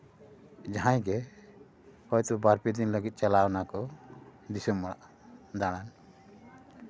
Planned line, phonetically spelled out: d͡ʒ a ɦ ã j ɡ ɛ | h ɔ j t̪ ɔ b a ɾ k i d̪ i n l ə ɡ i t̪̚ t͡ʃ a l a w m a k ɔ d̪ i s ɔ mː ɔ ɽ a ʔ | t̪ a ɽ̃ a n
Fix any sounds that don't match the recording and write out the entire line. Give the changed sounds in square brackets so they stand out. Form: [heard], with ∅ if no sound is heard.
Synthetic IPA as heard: d͡ʒ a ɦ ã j ɡ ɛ | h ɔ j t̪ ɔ b a ɾ [p] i d̪ i n l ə ɡ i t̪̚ t͡ʃ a l a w [n] a k ɔ d̪ i s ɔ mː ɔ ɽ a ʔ | [d̪] a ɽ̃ a n